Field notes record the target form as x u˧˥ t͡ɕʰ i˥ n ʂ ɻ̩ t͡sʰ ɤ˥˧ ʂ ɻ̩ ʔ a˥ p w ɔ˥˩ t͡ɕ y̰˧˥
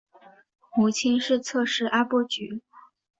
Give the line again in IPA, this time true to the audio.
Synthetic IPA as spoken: x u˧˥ t͡ɕʰ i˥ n ʂ ɻ̩ t͡sʰ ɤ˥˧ ʂ ɻ̩ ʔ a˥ p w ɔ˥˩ t͡ɕ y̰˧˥